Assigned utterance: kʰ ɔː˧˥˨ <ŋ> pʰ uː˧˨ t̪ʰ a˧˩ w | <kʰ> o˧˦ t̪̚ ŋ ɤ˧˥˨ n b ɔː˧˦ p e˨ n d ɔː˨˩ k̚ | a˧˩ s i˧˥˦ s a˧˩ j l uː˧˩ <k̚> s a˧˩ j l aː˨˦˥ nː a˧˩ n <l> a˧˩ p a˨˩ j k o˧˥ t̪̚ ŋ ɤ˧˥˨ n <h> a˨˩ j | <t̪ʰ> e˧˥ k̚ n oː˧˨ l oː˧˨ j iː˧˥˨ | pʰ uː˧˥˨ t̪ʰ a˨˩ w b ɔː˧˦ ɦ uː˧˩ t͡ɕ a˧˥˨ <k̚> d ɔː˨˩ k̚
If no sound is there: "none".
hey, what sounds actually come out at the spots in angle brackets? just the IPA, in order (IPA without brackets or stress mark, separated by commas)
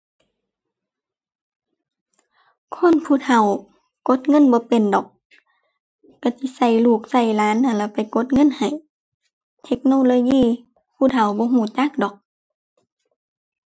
n, k, k̚, l, h, t̪ʰ, k̚